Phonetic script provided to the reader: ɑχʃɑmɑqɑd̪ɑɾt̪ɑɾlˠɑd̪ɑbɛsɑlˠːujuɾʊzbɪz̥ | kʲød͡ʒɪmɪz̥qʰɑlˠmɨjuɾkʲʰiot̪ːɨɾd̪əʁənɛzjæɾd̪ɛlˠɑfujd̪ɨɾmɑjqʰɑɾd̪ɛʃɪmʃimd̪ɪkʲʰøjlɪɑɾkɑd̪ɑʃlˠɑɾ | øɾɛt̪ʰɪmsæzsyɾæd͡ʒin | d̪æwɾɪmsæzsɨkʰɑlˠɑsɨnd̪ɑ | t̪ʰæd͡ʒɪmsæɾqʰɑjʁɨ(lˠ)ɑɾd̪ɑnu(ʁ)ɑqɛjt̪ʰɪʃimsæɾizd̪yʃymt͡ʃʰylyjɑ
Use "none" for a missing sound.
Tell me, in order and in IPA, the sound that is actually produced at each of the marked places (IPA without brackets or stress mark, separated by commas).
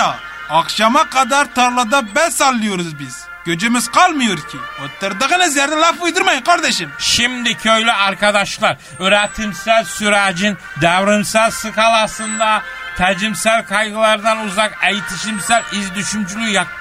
lˠ, z